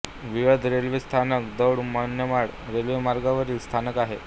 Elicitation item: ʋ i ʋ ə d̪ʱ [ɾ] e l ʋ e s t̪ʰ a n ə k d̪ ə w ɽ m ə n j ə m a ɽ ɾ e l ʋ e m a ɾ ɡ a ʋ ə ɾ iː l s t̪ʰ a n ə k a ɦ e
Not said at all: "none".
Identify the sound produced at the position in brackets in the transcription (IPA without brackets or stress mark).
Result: ɾ